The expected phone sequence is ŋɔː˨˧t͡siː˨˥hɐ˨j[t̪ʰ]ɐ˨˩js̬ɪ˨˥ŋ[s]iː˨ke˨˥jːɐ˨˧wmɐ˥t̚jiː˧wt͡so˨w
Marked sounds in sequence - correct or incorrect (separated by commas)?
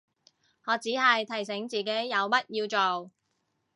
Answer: correct, incorrect